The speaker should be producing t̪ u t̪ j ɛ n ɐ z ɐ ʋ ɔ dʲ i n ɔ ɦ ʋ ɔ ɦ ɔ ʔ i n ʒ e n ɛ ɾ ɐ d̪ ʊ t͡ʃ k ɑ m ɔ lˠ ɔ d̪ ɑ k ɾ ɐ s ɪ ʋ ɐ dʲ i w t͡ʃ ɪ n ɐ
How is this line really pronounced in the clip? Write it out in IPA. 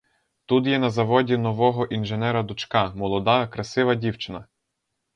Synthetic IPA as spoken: t̪ u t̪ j ɛ n ɐ z ɐ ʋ ɔ dʲ i n ɔ ʋ ɔ ɦ ɔ ʔ i n ʒ e n ɛ ɾ ɐ d̪ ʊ t͡ʃ k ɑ m ɔ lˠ ɔ d̪ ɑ k ɾ ɐ s ɪ ʋ ɐ dʲ i w t͡ʃ ɪ n ɐ